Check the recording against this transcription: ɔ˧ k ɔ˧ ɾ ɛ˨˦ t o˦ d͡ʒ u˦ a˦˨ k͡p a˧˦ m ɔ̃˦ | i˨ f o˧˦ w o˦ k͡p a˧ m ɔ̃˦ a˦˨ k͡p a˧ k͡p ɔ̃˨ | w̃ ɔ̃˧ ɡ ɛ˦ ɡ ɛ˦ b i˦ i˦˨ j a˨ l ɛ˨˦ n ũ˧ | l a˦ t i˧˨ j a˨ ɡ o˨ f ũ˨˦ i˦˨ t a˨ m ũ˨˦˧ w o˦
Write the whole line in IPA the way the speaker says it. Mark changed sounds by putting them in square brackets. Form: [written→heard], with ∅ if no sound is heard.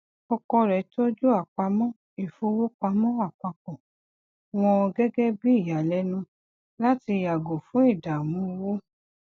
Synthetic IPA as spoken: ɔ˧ k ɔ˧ ɾ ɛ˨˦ t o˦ d͡ʒ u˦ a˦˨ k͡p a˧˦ m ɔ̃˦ | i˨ f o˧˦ w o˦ k͡p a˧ m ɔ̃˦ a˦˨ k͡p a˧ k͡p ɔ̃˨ | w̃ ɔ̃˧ ɡ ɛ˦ ɡ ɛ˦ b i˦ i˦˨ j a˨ l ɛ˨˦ n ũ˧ | l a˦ t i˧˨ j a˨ ɡ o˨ f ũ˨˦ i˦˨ [t→d] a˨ m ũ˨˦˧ w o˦